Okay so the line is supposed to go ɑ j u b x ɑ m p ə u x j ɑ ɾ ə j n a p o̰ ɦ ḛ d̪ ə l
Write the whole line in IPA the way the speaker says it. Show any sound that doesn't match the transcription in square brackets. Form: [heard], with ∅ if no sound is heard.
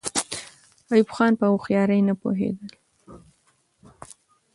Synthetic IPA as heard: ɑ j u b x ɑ [n] p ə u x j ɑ ɾ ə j n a p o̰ ɦ ḛ d̪ ə l